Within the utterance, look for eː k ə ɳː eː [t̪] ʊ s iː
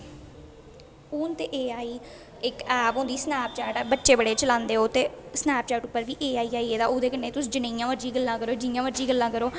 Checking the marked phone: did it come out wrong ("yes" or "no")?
no